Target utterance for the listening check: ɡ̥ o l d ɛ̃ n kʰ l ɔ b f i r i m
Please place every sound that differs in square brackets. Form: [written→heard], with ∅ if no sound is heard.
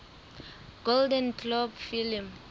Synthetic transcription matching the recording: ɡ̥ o l d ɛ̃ n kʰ l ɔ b f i [r→l] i m